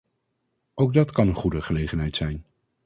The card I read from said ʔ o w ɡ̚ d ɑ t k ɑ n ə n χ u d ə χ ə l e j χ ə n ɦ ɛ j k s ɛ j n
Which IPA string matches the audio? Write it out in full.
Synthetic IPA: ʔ o w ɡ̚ d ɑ t k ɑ n ə n χ u d ə χ ə l e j χ ə n ɦ ɛ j t s ɛ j n